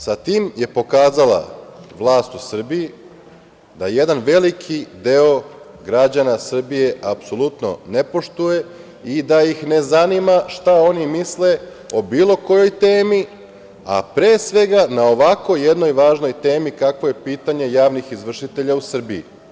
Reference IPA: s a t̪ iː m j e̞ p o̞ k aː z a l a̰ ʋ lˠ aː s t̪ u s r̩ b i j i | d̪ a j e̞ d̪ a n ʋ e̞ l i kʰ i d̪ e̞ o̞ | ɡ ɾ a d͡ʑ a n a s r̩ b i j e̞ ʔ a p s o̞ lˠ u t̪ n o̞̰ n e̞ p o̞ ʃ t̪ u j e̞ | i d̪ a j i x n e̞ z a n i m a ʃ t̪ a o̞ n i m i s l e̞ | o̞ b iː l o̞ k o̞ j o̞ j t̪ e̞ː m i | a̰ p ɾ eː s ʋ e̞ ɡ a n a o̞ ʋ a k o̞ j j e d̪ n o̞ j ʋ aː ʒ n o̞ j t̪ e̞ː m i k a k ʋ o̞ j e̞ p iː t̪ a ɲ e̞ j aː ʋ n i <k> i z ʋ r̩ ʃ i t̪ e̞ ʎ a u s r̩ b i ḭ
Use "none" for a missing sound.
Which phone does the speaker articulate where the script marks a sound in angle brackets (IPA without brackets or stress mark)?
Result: x